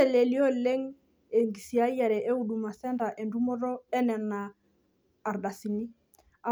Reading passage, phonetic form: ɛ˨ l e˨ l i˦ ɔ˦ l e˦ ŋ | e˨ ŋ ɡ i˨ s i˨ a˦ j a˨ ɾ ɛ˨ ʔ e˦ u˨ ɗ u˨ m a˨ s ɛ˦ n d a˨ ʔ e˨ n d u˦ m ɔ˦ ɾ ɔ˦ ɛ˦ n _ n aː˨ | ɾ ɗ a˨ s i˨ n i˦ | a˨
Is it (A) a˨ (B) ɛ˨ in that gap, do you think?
B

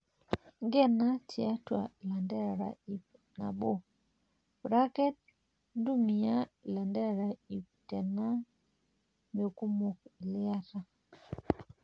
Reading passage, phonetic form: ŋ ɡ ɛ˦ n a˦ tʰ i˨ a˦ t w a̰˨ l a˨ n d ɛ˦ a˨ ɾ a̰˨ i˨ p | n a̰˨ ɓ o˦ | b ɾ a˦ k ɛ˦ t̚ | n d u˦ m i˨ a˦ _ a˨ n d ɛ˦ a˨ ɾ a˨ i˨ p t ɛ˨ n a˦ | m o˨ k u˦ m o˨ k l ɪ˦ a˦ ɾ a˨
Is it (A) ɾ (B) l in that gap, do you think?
B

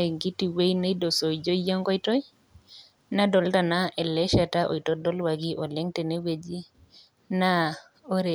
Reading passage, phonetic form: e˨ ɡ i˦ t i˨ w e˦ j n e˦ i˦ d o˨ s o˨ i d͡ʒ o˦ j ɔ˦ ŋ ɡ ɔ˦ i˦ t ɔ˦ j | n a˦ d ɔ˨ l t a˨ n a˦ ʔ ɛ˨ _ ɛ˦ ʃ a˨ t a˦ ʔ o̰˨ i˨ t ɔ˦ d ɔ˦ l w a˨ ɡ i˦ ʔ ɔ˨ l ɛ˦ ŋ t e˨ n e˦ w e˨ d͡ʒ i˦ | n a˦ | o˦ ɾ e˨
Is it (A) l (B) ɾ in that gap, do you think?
A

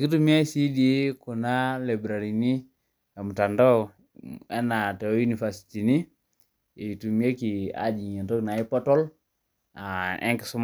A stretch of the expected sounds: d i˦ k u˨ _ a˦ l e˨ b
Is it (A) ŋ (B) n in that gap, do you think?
B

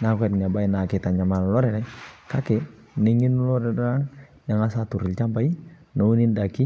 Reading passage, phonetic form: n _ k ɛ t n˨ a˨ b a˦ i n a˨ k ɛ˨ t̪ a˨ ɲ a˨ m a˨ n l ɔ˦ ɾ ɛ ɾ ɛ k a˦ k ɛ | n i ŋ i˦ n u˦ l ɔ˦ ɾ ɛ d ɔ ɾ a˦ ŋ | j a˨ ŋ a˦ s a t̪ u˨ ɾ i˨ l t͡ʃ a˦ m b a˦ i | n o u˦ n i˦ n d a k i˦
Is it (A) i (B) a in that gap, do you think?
B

